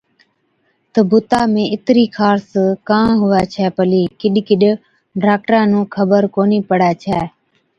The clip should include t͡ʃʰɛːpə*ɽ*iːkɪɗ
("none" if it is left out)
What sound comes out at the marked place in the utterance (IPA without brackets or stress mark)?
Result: l